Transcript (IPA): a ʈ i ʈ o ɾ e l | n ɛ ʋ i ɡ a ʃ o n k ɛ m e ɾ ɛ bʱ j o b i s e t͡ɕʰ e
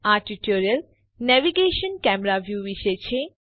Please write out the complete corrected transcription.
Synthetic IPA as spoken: a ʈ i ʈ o ɾ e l | n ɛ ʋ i ɡ e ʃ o n k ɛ m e ɾ a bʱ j u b i ʃ e t͡ɕʰ e